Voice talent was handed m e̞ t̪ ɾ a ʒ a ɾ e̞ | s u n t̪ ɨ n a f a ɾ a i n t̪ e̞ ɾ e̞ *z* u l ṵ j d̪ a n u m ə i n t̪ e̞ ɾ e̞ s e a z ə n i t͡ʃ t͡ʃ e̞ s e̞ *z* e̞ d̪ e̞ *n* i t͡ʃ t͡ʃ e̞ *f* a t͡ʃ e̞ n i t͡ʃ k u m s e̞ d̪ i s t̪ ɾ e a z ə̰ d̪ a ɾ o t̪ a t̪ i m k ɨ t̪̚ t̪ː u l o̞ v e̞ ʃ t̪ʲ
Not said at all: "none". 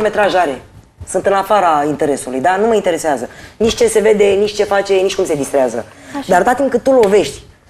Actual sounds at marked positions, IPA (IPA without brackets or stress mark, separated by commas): s, v, n, f